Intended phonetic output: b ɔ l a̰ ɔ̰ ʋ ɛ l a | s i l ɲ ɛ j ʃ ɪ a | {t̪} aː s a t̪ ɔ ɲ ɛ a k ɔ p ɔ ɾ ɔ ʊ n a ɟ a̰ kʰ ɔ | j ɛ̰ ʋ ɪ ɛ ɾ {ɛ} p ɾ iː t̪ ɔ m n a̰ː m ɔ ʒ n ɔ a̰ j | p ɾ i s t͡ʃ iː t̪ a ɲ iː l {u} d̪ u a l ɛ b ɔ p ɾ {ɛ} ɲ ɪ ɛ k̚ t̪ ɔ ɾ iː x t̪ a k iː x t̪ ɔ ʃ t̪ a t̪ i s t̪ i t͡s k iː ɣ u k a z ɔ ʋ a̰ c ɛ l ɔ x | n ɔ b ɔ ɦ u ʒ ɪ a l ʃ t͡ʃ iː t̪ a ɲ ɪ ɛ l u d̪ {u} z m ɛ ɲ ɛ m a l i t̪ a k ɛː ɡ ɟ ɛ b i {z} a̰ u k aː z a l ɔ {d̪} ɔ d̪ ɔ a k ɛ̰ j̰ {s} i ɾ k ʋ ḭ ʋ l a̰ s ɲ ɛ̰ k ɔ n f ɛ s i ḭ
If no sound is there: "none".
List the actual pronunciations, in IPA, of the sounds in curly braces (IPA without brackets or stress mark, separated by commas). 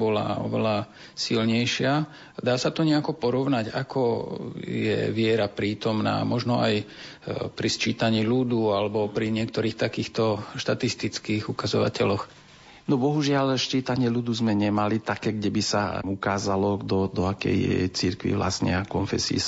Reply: d̪, a, u, i, u, s, d̪, t͡s